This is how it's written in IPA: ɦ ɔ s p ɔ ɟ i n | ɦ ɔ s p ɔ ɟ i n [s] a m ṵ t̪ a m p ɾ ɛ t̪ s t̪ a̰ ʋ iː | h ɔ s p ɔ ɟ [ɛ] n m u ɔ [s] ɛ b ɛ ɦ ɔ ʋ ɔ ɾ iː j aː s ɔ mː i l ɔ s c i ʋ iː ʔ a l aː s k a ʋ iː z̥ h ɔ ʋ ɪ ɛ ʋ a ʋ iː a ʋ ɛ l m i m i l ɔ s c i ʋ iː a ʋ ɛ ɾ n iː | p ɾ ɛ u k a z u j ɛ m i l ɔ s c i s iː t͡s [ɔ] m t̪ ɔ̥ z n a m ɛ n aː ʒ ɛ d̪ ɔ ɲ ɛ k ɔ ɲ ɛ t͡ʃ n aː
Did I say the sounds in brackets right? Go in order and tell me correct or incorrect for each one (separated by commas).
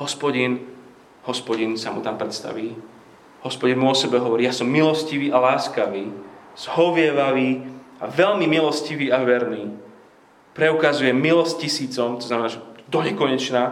correct, incorrect, correct, correct